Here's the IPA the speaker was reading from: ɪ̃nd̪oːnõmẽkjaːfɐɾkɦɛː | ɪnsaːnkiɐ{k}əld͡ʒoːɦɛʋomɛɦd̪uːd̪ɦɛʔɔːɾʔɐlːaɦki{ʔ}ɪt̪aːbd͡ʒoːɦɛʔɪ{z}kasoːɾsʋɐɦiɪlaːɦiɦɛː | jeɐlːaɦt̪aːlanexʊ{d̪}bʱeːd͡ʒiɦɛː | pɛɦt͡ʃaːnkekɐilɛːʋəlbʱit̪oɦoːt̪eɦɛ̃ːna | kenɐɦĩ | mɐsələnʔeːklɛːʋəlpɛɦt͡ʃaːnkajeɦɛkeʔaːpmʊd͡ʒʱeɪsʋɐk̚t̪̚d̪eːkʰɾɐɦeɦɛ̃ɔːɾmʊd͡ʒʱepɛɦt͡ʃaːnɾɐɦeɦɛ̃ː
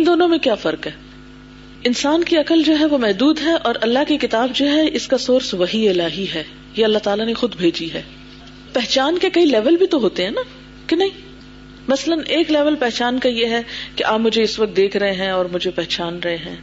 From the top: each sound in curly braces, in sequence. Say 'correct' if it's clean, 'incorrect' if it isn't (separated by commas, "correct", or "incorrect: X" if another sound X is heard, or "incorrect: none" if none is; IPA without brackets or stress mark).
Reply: correct, incorrect: k, incorrect: s, correct